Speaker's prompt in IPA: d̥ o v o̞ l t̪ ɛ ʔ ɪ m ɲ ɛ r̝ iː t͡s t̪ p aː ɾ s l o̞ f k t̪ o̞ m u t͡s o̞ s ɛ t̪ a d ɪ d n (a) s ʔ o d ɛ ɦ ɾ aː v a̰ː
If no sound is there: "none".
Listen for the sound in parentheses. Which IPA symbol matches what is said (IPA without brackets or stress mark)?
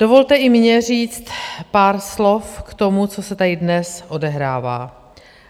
ɛ